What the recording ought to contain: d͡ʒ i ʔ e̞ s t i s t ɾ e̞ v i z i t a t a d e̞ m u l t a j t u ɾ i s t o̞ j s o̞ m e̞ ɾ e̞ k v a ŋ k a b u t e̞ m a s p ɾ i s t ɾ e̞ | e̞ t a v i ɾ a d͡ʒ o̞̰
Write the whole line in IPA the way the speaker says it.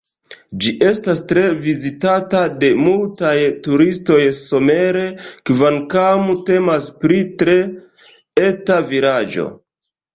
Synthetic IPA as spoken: d͡ʒ i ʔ e̞ s t a s t ɾ e̞ v i z i t a t a d e̞ m u l t a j t u ɾ i s t o̞ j s o̞ m e̞ ɾ e̞ k v a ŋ k a m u t e̞ m a s p ɾ i t ɾ e̞ | e̞ t a v i ɾ a d͡ʒ o̞̰